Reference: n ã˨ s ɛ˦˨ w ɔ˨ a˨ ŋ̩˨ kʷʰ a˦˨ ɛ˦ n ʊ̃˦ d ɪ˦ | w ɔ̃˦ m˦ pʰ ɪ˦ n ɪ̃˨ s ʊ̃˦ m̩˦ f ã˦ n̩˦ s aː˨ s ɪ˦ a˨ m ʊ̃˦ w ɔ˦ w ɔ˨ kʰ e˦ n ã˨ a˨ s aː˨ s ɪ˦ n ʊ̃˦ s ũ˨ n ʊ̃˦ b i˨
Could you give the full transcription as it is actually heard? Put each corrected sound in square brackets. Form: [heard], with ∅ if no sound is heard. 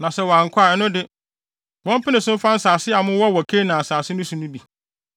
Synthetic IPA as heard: n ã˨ s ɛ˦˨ w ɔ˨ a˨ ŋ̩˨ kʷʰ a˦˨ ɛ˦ n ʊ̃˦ d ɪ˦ | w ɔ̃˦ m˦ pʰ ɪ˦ n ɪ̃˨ s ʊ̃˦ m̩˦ f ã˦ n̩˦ s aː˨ s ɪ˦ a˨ m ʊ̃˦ w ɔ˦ w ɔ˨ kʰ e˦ n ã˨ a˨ s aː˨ s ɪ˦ n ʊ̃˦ s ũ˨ n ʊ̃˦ b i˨